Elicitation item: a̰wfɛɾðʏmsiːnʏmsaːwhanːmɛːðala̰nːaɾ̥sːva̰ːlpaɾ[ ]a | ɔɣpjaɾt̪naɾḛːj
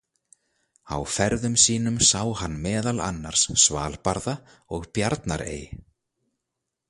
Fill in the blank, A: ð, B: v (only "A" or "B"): A